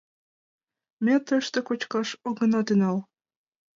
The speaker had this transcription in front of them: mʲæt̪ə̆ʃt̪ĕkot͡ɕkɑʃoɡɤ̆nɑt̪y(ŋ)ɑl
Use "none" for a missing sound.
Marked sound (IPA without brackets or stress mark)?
n